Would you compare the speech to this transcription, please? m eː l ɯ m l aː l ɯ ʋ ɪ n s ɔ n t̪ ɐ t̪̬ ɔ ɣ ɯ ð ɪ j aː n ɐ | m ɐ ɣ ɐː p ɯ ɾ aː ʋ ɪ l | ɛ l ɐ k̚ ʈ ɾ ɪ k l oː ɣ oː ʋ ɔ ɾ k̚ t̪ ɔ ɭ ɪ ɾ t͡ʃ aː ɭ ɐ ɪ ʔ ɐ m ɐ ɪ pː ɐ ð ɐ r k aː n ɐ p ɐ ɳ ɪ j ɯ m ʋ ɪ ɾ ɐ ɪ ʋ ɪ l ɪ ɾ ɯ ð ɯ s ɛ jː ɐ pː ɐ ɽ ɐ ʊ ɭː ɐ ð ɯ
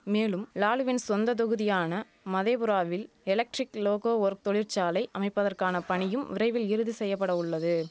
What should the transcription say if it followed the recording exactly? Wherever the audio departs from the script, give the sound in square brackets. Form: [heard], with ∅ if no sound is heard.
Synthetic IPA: m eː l ɯ m l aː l ɯ ʋ ɪ n s ɔ n [d̪] ɐ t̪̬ ɔ ɣ ɯ ð ɪ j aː n ɐ | m ɐ [ð] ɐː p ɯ ɾ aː ʋ ɪ l | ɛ l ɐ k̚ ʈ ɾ ɪ k l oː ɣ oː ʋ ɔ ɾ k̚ t̪ ɔ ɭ ɪ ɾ t͡ʃ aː [l] ɐ ɪ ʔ ɐ m ɐ ɪ pː ɐ ð ɐ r k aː n ɐ p ɐ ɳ ɪ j ɯ m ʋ ɪ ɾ ɐ ɪ ʋ ɪ l ɪ ɾ ɯ ð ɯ s ɛ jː ɐ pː ɐ ɽ ɐ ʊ ɭː ɐ ð ɯ